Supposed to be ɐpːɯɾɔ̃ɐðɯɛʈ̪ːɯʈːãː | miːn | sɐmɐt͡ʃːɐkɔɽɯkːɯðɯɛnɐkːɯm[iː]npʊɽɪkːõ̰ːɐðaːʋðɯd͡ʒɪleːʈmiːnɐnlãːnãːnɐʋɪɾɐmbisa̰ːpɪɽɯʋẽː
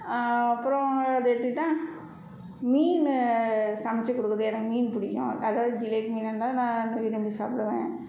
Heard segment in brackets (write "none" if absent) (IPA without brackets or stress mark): iː